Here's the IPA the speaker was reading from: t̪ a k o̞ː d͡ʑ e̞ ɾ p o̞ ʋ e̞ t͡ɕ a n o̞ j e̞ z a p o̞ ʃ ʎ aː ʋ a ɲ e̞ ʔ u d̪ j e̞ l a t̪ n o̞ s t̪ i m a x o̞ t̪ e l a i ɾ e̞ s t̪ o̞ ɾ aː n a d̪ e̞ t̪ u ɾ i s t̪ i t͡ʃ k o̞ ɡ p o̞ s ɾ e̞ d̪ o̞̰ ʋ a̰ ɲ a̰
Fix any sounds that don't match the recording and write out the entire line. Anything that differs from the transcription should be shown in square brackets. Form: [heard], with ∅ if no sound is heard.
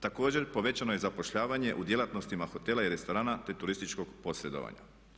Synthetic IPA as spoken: t̪ a k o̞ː d͡ʑ e̞ ɾ p o̞ ʋ e̞ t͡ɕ a n o̞ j e̞ z a p o̞ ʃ ʎ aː ʋ a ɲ e̞ ʔ u d̪ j e̞ l a t̪ n o̞ s t̪ i m a x o̞ t̪ e l a i ɾ e̞ s t̪ o̞ ɾ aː n a [t̪] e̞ t̪ u ɾ i s t̪ i t͡ʃ k o̞ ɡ p o̞ s ɾ e̞ d̪ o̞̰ ʋ a̰ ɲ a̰